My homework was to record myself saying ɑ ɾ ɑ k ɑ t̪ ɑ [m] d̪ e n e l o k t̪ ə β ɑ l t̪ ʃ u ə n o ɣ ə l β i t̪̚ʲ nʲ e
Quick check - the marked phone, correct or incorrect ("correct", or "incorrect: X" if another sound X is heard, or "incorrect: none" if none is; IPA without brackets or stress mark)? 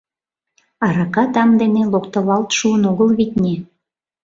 correct